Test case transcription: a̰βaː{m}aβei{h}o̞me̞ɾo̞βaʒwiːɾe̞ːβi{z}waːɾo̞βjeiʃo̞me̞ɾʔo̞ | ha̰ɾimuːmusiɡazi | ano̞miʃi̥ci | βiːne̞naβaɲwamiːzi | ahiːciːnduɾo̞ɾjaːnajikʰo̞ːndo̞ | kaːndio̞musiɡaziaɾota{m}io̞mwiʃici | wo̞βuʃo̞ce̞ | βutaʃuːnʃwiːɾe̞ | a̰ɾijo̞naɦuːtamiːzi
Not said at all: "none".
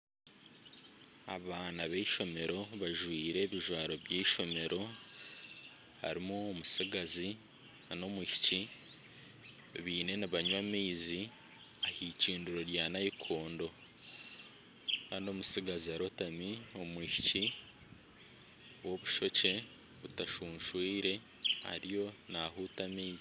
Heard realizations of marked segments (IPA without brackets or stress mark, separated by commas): n, ʃ, ʒ, m